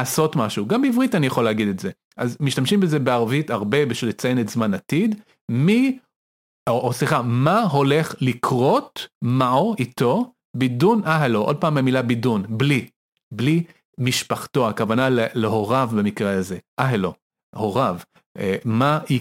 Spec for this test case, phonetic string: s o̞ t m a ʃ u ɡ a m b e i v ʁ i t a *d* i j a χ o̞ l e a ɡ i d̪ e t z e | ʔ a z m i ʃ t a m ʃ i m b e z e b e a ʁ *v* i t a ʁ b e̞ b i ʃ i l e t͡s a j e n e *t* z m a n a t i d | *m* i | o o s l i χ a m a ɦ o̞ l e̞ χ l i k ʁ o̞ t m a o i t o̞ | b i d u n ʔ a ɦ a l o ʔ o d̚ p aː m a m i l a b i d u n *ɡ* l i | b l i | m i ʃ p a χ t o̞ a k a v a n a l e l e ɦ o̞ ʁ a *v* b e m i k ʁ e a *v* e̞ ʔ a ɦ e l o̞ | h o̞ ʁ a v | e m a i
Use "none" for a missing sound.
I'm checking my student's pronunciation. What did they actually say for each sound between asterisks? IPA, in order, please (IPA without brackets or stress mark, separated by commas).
n, v, t, m, b, v, z